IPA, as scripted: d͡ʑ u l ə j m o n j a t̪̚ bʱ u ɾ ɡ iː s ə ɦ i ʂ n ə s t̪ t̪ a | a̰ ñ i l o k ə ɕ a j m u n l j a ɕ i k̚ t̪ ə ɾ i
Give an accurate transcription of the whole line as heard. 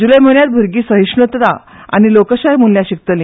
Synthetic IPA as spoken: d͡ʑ u l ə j m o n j a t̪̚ bʱ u ɾ ɡ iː s ə ɦ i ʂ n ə t̪ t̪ a | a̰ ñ i l o k ə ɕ a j m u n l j a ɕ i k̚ t̪ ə l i